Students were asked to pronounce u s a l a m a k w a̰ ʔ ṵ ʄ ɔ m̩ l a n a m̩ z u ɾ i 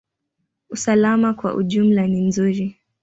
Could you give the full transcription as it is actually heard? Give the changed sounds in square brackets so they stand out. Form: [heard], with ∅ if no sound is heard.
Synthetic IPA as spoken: u s a l a m a k w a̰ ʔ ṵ ʄ [u] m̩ l a n [i] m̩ z u ɾ i